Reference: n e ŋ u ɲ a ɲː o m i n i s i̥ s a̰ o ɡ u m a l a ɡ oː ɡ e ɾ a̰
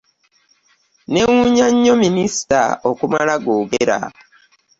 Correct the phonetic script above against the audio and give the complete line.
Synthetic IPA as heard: n e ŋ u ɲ a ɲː o m i n i s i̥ t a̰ o k u m a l a ɡ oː ɡ e ɾ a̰

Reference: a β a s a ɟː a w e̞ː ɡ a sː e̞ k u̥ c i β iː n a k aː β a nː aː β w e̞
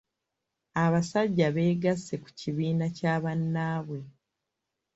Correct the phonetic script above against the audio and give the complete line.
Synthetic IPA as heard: a β a s a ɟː a β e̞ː ɡ a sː e̞ k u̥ c i β iː n a c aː β a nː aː β w e̞

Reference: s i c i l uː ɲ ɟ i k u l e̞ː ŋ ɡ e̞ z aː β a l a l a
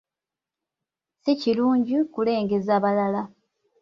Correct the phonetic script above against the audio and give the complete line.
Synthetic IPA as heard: s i c i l uː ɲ ɟ i k u l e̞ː ŋ ɡ e̞ z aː β a l a l a

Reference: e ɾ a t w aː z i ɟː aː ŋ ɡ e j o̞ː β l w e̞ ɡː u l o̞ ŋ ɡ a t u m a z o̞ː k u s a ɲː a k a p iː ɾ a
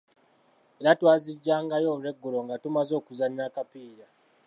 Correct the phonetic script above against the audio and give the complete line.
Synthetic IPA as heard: e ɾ a t w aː z i ɟː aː ŋ ɡ a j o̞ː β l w e̞ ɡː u l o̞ ŋ ɡ a t u m a z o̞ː k u z a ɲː a k a p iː ɾ a

